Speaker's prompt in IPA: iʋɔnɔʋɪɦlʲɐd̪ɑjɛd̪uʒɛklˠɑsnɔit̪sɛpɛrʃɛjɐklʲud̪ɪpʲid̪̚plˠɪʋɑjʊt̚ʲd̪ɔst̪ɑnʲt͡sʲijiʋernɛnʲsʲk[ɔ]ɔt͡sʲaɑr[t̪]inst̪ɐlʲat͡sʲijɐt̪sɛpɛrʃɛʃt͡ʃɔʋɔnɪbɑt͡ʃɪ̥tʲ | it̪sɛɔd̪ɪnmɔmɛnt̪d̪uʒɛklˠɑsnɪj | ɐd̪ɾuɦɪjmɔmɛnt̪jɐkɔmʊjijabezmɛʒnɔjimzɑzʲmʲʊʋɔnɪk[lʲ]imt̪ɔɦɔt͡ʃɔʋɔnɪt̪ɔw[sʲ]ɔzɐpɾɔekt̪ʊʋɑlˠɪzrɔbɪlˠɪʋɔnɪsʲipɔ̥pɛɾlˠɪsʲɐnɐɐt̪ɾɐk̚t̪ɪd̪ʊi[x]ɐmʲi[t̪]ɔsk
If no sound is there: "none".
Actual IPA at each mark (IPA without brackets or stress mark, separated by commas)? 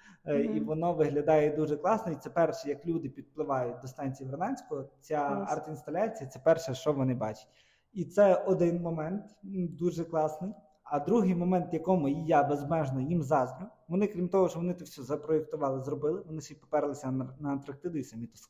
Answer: ɔ, t̪, ɾʲ, sʲ, s, t̪